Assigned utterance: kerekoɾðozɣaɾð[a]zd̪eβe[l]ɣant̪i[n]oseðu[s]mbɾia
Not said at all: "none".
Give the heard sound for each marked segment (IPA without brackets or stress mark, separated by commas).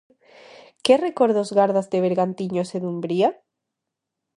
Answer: a, ɾ, ɲ, none